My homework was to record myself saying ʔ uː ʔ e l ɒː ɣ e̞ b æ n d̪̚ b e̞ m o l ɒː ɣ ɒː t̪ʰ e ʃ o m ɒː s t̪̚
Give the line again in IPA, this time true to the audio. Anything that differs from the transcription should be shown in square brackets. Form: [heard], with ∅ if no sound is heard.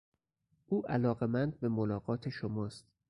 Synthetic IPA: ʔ uː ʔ [æ] l ɒː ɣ e̞ [m] æ n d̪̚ b e̞ m o l ɒː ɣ ɒː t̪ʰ e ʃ o m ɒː s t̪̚